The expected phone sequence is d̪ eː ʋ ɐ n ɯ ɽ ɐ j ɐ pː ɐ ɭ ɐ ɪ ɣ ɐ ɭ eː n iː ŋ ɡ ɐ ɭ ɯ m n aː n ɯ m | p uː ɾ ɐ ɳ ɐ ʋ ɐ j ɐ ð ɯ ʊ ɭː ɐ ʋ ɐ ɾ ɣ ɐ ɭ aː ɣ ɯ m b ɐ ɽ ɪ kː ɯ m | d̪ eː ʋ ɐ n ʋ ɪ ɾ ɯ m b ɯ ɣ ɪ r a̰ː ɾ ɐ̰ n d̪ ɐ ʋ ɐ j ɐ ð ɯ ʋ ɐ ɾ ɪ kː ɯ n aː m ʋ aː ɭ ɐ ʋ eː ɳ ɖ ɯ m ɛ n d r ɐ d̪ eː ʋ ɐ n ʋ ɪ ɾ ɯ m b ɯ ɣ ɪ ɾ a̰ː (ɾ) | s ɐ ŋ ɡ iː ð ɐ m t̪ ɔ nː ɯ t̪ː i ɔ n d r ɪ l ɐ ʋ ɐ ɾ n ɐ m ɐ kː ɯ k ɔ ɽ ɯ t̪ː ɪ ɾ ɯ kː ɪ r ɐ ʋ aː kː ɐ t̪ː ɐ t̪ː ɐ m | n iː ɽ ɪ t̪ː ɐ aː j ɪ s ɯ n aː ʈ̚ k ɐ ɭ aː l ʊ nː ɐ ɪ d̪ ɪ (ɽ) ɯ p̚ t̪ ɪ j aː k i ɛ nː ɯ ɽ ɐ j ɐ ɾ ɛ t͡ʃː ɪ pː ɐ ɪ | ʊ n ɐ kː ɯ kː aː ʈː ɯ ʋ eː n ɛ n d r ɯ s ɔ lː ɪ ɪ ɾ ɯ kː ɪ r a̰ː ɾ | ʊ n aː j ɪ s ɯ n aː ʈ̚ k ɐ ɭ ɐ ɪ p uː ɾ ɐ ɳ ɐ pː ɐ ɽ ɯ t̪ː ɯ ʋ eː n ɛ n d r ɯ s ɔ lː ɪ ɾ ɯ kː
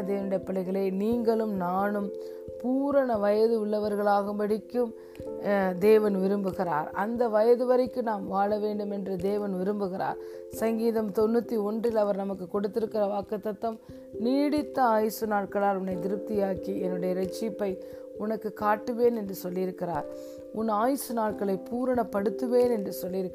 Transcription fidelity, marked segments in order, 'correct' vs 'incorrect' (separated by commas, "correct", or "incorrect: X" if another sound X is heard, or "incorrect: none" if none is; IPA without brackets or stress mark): correct, incorrect: ɾ